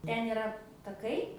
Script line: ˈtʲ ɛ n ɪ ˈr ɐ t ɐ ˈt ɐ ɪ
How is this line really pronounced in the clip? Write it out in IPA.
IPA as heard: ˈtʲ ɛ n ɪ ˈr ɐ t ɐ ˈk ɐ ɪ